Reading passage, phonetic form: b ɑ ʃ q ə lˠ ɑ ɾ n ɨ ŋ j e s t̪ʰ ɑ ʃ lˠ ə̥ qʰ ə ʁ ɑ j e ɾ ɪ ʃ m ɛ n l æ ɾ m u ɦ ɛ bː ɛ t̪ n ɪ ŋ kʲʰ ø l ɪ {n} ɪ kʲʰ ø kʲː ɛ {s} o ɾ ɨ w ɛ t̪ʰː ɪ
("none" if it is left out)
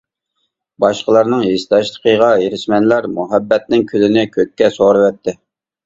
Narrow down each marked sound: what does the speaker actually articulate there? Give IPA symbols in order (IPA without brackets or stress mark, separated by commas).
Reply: n, s